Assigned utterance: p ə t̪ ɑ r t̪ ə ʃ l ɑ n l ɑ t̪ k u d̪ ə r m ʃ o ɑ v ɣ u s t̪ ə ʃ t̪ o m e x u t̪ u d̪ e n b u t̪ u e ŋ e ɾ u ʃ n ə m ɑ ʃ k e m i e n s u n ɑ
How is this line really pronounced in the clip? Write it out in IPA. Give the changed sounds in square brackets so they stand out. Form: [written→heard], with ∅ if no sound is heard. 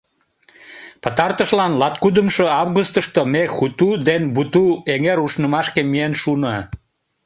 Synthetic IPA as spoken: p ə t̪ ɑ r t̪ ə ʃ l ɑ n l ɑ t̪ k u d̪ ə [r→∅] m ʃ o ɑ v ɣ u s t̪ ə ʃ t̪ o m e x u t̪ u d̪ e n b u t̪ u e ŋ e ɾ u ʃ n ə m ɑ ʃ k e m i e n [s→ʃ] u n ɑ

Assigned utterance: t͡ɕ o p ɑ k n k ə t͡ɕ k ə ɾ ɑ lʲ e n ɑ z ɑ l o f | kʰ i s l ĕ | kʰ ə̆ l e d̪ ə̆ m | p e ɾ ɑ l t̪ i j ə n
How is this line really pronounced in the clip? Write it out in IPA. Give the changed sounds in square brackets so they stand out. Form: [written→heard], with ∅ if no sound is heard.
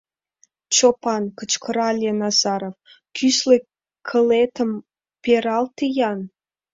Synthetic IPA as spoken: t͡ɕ o p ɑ [k→∅] n k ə t͡ɕ k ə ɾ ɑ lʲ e n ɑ z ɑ [l→ɾ] o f | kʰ [i→y] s l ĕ | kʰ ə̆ l e [d̪→t̪] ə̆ m | p e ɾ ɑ l t̪ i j [ə→ɑ] n

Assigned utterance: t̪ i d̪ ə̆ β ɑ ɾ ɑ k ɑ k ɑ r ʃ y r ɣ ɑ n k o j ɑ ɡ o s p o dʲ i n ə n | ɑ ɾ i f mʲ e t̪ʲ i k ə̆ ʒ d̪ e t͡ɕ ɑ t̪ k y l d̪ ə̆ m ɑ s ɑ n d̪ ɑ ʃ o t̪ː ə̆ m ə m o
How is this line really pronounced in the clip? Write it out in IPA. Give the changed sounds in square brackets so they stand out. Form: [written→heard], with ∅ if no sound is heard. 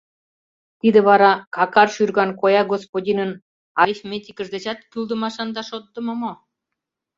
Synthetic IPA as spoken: t̪ i d̪ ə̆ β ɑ ɾ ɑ k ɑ k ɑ r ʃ y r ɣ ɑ n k o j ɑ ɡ o s p o dʲ i n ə n | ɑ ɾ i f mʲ e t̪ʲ i k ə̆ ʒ d̪ e t͡ɕ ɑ t̪ k y l d̪ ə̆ m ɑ [s→ʃ] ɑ n d̪ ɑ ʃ o t̪ː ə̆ m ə m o

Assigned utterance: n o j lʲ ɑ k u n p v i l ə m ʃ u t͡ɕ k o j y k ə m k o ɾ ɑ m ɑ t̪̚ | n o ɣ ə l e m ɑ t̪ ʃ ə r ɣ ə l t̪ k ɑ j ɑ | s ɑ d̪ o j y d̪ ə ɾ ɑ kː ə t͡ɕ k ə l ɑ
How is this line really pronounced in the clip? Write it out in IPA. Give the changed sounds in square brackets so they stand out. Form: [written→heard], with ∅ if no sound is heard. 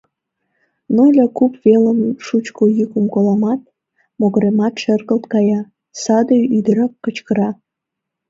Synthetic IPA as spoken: n o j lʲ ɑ k u [n→∅] p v [i→e] l ə m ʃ u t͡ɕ k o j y k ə m k o [ɾ→l] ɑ m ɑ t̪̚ | [n→m] o ɣ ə [l→ɾ] e m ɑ t̪ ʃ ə r ɣ ə l t̪ k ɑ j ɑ | s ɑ d̪ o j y d̪ ə ɾ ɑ kː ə t͡ɕ k ə [l→ɾ] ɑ

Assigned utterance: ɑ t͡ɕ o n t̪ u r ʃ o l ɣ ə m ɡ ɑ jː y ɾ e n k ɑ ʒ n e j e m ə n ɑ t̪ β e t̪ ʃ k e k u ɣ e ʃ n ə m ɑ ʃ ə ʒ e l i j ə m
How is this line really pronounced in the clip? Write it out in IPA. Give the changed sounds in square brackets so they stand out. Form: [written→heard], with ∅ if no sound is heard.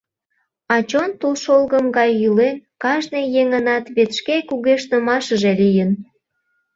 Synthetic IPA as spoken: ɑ t͡ɕ o n t̪ u [r→l] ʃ o l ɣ ə m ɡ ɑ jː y [ɾ→l] e n k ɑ ʒ n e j e [m→ŋ] ə n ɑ t̪ β e t̪ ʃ k e k u ɣ e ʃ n ə m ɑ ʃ ə ʒ e l i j ə [m→n]

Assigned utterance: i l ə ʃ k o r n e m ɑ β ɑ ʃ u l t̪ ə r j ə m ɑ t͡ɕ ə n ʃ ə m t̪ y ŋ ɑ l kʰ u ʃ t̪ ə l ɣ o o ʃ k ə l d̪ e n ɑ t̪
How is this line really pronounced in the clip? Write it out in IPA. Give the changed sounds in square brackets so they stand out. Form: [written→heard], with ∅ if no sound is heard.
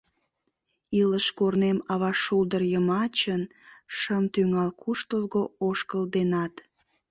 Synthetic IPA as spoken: i l ə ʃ k o r n e m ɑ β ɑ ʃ u l [t̪→d̪] ə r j ə m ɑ t͡ɕ ə n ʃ ə m t̪ y ŋ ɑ l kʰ u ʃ t̪ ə l ɣ o o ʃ k ə l d̪ e n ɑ t̪

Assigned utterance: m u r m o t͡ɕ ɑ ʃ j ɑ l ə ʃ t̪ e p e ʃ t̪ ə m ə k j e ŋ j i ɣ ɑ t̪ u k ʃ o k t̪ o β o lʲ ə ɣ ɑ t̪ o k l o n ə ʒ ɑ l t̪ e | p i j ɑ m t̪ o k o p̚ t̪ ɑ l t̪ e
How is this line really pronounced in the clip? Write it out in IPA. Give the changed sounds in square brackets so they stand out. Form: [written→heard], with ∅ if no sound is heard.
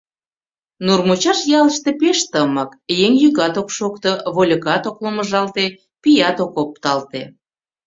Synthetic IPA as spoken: [m→n] u r m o t͡ɕ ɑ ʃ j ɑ l ə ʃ t̪ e p e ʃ t̪ ə m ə k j e ŋ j [i→y] ɣ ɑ t̪ [u→o] k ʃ o k t̪ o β o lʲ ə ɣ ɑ t̪ o k l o [n→m] ə ʒ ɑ l t̪ e | p i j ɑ [m→∅] t̪ o k o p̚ t̪ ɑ l t̪ e

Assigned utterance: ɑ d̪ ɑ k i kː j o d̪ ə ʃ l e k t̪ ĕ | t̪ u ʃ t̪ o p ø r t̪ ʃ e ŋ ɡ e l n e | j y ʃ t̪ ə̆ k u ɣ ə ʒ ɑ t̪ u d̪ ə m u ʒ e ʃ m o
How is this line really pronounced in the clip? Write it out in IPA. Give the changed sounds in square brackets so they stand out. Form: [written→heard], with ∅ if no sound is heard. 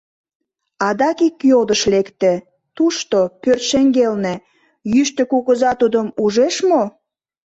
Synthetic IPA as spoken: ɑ d̪ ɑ k i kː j o d̪ ə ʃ l e k t̪ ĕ | t̪ u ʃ t̪ o p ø r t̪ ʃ e ŋ ɡ e l n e | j y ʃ t̪ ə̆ k u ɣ ə [ʒ→z] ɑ t̪ u d̪ ə m u ʒ e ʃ m o

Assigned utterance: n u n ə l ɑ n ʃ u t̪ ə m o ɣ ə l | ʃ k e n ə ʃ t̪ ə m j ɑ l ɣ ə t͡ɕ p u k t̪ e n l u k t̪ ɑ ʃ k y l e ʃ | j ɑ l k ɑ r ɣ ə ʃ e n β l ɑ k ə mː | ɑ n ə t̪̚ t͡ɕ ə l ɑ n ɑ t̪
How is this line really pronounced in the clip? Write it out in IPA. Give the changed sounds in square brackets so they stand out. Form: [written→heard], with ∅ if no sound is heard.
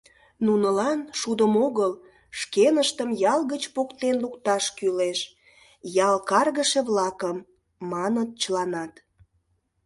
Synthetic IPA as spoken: n u n ə l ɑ n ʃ u [t̪→d̪] ə m o ɣ ə l | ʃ k e n ə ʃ t̪ ə m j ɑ l ɣ ə t͡ɕ p [u→o] k t̪ e n l u k t̪ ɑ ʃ k y l e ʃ | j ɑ l k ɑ r ɣ ə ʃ e [n→∅] β l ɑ k ə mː | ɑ n ə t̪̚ t͡ɕ ə l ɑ n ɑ t̪

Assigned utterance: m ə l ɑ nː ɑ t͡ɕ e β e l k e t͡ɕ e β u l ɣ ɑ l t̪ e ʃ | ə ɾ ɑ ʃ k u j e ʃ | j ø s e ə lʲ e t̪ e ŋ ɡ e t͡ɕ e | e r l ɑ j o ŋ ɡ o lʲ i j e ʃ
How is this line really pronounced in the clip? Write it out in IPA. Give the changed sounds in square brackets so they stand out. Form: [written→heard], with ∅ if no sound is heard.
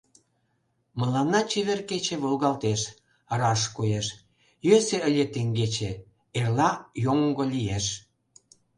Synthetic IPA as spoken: m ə l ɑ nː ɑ t͡ɕ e β e [l→r] k e t͡ɕ e β [u→o] l ɣ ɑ l t̪ e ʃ | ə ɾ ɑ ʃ k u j e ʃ | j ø s e ə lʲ e t̪ e ŋ ɡ e t͡ɕ e | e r l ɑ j o ŋ ɡ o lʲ i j e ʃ

